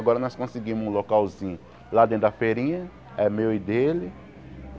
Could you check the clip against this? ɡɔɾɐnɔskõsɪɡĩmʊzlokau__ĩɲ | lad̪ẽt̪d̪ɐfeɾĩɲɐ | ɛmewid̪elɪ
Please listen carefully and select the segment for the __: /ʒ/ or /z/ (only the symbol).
z